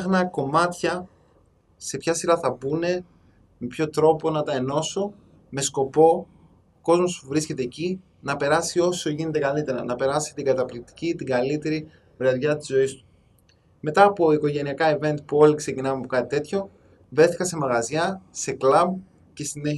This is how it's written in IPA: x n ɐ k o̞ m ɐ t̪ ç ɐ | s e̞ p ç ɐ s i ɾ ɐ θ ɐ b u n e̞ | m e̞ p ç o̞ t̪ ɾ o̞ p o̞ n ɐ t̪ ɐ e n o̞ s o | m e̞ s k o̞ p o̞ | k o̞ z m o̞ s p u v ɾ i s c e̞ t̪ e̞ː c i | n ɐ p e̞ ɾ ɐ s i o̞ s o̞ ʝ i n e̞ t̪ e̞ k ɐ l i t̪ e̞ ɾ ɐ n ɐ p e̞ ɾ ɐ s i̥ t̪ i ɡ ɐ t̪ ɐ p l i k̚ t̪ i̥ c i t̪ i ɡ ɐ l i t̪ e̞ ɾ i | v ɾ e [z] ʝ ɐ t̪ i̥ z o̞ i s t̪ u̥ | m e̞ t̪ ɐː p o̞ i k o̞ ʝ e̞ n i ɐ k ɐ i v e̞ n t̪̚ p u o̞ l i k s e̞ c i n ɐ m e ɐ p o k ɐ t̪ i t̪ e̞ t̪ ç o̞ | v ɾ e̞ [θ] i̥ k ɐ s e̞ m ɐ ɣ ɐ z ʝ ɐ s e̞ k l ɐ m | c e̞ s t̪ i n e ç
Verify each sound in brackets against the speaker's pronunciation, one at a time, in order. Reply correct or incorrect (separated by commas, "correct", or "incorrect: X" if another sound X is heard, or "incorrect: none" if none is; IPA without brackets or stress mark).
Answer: incorrect: ð, correct